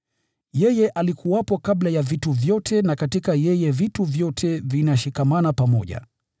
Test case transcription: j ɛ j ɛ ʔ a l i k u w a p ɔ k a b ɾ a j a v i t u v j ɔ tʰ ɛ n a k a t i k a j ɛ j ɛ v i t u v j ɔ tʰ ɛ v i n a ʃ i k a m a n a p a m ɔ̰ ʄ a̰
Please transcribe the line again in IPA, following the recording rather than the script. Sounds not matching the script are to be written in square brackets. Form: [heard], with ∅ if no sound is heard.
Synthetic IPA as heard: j ɛ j ɛ ʔ a l i k u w a p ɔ k a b [l] a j a v i t u v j ɔ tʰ ɛ n a k a t i k a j ɛ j ɛ v i t u v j ɔ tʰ ɛ v i n a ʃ i k a m a n a p a m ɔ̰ ʄ a̰